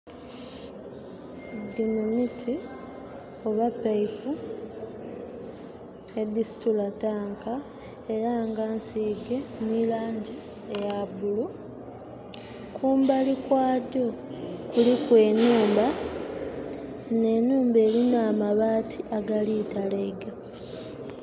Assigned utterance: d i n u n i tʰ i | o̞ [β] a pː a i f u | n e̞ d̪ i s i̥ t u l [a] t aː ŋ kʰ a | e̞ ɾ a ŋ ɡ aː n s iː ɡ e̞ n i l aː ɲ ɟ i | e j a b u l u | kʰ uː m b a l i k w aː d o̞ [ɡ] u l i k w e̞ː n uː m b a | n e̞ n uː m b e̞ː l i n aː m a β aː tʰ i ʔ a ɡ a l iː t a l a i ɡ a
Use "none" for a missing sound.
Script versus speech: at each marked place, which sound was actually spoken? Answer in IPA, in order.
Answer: β, a, k

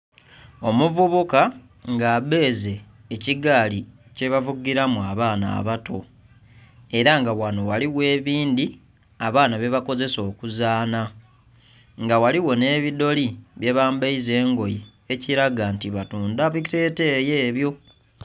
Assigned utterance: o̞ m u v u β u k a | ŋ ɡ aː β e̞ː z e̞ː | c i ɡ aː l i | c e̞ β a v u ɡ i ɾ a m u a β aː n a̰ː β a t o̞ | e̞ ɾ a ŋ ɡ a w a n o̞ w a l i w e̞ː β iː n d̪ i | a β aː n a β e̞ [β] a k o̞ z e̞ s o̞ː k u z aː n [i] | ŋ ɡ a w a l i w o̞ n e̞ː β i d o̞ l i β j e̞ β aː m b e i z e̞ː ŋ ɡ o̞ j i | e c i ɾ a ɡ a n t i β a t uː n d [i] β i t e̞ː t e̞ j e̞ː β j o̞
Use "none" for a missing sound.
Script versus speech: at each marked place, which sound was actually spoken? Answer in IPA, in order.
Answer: β, a, a

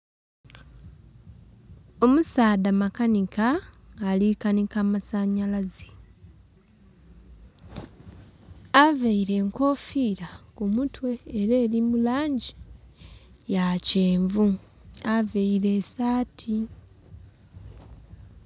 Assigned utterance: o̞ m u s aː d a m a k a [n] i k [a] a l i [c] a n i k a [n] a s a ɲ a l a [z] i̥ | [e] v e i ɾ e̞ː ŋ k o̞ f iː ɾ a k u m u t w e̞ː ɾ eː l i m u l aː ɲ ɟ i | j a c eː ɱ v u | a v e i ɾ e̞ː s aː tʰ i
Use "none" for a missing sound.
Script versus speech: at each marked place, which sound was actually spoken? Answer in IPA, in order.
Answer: n, a, k, m, z, a

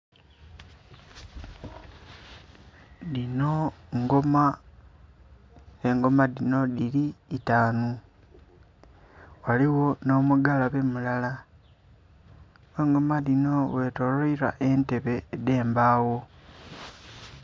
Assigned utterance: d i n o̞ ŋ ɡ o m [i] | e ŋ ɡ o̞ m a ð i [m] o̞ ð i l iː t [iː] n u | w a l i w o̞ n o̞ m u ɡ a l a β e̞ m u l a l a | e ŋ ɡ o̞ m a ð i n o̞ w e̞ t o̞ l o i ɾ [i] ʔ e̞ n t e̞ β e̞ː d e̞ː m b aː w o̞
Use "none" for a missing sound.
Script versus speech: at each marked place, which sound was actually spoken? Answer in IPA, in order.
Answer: a, n, aː, a

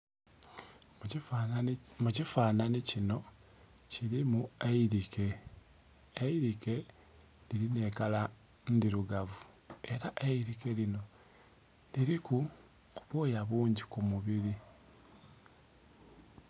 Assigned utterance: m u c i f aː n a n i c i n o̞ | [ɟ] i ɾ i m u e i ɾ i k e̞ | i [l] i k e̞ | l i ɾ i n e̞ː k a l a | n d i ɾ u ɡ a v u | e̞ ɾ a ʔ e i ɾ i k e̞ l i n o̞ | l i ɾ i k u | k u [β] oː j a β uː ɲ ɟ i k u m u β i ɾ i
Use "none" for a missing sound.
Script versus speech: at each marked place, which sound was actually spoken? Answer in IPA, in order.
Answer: c, ɾ, β

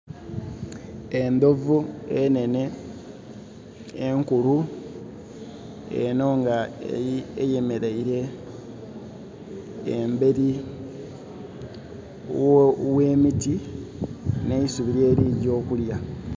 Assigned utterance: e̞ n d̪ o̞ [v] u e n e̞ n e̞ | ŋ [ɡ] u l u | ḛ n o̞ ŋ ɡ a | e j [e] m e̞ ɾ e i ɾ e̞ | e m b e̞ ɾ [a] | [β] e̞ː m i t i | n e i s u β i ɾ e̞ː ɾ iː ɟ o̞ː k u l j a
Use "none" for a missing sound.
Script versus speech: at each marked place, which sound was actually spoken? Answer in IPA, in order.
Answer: v, k, e, i, w

